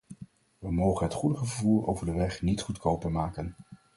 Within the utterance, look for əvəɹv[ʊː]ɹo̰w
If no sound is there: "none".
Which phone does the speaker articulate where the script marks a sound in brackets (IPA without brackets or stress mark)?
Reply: uː